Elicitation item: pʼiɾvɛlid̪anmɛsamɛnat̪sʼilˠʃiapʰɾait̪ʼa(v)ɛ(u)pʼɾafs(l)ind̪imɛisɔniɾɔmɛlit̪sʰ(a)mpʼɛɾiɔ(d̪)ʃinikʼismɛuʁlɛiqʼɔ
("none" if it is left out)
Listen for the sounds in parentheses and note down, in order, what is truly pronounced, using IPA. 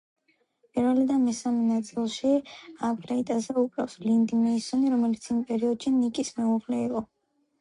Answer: z, u, l, i, d̪

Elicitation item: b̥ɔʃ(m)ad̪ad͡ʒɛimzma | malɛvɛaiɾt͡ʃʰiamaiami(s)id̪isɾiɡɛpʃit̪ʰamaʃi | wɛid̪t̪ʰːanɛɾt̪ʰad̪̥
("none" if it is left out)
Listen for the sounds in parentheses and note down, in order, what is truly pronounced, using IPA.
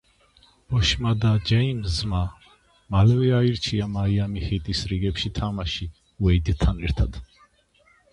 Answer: m, h

